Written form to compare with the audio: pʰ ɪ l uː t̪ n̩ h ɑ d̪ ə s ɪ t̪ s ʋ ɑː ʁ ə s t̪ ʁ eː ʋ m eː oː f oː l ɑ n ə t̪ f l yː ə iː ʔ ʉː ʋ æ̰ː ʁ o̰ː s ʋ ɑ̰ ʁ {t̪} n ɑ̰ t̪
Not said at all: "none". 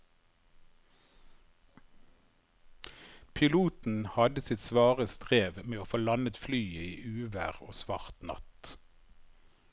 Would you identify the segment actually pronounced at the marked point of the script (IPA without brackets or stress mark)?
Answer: t̪